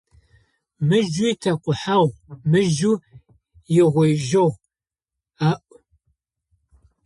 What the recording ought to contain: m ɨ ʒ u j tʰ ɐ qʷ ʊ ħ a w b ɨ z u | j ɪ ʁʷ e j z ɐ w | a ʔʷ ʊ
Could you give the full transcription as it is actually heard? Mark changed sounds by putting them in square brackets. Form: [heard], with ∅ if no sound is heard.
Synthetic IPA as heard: m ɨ ʒ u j tʰ ɐ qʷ ʊ ħ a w [m] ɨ [ʒ] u | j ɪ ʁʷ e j [ʒ] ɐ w | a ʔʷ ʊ